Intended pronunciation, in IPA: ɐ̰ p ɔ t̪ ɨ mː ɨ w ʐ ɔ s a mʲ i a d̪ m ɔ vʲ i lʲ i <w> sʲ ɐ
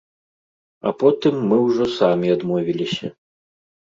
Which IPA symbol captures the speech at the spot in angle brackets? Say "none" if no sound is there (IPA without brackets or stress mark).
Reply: none